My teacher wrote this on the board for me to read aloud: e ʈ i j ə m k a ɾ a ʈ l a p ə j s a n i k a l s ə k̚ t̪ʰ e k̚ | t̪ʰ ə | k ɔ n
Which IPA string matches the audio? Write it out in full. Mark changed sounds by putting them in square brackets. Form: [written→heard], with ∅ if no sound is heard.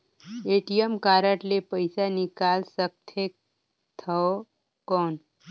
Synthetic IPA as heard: e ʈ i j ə m k a ɾ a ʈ l [a→e] p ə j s a n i k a l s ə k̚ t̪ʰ e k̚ | t̪ʰ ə | k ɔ n